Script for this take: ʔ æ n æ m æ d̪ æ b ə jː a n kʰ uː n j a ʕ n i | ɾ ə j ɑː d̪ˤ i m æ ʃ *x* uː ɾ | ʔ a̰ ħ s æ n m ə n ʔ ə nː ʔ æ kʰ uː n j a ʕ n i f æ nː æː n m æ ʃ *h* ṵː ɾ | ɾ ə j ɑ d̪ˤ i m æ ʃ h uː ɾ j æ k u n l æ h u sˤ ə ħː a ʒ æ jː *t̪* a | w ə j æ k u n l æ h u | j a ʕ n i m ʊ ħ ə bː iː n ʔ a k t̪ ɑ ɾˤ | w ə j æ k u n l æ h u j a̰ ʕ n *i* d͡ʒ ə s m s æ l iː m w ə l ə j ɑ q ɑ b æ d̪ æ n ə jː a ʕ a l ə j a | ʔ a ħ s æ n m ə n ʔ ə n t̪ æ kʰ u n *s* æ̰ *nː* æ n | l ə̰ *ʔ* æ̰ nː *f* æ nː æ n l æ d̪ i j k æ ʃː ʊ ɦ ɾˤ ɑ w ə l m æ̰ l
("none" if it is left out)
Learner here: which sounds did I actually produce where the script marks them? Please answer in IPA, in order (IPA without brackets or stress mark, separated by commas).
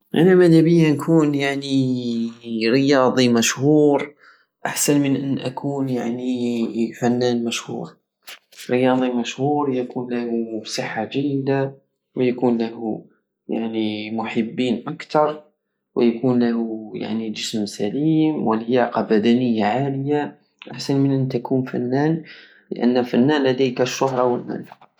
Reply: h, h, d̪, i, f, nː, ʔ, f